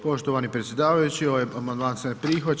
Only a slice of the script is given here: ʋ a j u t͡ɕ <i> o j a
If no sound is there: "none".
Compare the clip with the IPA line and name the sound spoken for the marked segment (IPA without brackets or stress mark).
i